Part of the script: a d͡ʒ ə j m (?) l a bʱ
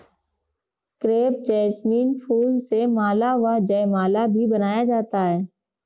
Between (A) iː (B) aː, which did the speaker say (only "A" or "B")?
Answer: B